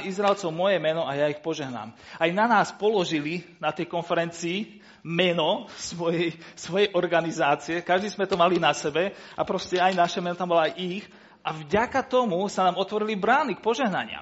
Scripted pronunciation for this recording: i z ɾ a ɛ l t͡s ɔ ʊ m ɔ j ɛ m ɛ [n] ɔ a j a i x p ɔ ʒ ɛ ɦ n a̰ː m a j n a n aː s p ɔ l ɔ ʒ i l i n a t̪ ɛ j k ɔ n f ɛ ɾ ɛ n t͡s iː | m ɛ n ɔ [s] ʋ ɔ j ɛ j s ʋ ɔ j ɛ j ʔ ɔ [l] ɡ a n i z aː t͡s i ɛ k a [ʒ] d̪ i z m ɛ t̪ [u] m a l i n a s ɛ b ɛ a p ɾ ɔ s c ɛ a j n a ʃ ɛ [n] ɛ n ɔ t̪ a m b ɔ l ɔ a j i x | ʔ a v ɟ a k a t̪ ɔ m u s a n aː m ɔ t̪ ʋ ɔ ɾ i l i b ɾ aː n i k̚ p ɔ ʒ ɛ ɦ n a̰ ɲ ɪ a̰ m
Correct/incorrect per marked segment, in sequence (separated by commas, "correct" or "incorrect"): correct, correct, incorrect, correct, incorrect, incorrect